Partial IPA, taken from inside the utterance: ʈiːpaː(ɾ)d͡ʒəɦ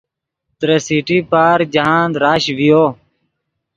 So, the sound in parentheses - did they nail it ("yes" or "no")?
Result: yes